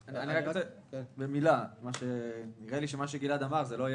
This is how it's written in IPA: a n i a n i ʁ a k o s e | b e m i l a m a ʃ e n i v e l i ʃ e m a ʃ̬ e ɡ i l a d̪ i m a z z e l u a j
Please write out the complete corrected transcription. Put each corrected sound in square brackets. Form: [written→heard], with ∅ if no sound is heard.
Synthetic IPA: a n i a n i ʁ a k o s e | b e m i l a m a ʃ e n i [v→ʁ] e l i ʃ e m a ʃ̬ e ɡ i l a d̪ [i→a] m a [z→ʁ] z e l [u→o] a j